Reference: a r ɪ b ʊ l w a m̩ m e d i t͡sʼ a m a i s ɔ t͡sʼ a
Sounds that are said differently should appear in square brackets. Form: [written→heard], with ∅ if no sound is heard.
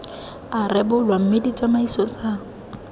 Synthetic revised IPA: a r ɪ b ʊ l w a m̩ m e d i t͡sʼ a m a i s ɔ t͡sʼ a